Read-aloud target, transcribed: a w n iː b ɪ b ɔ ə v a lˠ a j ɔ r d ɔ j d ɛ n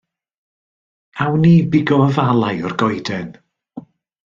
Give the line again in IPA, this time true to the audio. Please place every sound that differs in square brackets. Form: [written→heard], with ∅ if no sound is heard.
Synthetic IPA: a w n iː b ɪ [b→ɡ] ɔ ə v a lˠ a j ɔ r [d→ɡ] ɔ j d ɛ n